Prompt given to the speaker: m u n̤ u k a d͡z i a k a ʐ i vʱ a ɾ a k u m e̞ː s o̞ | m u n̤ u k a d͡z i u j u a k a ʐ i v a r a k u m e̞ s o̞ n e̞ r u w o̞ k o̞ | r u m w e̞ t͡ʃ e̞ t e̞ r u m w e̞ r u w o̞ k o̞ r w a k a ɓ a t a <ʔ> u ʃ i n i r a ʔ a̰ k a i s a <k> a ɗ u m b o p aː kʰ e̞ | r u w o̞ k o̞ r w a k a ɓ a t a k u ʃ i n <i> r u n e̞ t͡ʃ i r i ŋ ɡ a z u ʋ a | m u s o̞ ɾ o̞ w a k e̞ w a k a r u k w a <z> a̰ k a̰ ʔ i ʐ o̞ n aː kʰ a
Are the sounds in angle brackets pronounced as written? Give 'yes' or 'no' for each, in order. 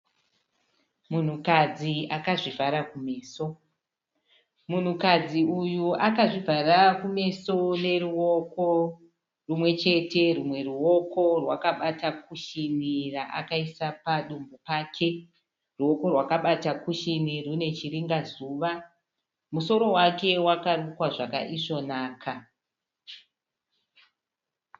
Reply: no, no, yes, no

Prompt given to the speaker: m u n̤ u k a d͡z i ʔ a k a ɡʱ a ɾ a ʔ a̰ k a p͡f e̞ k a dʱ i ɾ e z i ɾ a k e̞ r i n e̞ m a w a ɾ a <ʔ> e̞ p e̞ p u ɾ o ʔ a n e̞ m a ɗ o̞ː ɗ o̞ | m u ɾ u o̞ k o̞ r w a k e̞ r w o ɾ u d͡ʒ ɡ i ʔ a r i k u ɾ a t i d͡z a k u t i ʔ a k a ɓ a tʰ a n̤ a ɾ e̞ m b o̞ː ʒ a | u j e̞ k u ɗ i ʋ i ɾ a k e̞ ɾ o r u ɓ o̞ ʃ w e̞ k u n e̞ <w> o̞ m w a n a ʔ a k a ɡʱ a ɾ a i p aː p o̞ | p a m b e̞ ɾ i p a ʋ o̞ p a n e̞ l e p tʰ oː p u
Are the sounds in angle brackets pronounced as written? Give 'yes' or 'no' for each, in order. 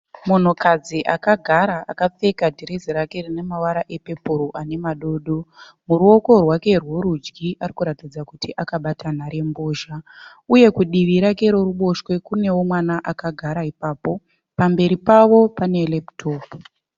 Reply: yes, yes

